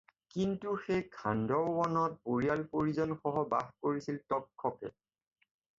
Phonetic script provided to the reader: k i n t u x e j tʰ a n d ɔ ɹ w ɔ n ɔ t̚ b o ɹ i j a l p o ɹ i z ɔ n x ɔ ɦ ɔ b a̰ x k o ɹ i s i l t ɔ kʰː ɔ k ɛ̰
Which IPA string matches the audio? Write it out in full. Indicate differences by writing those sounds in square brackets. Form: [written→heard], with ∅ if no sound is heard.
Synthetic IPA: k i n t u x e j [tʰ→kʰ] a n d ɔ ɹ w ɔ n ɔ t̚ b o ɹ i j a l p o ɹ i z ɔ n x ɔ ɦ ɔ b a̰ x k o ɹ i s i l t ɔ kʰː ɔ k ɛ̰